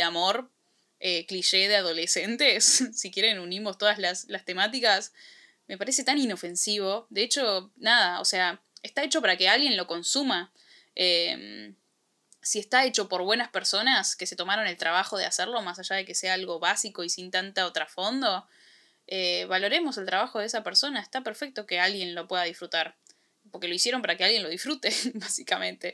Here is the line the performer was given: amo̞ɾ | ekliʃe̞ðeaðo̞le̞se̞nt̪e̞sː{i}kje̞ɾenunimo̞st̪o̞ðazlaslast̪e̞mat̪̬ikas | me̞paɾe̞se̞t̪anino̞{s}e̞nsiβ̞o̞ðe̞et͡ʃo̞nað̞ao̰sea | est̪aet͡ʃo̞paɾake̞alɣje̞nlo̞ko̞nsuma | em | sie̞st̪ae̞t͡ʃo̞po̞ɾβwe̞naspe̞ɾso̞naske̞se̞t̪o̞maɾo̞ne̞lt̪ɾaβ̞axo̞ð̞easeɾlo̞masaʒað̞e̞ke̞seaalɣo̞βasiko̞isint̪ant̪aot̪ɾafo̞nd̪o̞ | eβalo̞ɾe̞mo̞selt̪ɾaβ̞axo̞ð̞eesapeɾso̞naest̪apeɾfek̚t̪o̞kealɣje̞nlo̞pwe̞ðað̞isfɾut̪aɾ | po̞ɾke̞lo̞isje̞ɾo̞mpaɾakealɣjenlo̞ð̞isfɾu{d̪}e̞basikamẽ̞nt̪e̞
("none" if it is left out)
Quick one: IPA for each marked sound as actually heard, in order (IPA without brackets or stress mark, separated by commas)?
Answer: i, f, t̪